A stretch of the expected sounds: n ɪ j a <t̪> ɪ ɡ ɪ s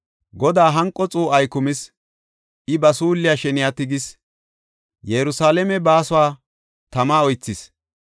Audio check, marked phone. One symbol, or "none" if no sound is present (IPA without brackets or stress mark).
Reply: t̪